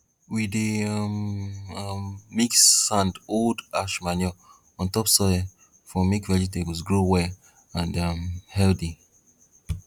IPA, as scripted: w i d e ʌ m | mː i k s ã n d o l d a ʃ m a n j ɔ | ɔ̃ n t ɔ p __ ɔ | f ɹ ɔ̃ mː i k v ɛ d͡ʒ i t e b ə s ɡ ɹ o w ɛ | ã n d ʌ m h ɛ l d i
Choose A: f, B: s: B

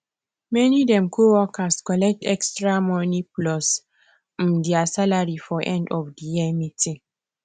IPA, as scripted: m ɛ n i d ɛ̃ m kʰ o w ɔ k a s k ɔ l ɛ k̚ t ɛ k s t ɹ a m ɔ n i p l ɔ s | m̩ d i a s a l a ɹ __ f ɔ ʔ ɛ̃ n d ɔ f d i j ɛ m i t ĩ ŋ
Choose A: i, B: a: A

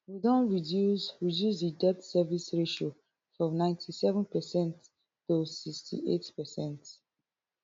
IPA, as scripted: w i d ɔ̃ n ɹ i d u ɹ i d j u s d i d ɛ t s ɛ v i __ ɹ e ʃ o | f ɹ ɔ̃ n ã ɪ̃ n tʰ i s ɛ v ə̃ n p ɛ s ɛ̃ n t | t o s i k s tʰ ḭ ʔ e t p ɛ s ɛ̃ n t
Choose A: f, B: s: B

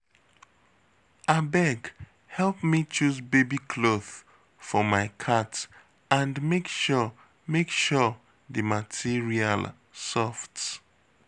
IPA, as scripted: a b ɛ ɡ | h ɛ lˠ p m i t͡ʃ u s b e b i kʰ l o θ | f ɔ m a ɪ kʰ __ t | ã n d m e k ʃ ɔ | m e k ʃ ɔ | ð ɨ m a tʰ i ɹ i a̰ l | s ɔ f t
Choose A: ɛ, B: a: B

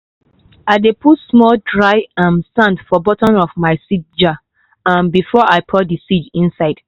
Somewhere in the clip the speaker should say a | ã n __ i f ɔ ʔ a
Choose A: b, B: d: A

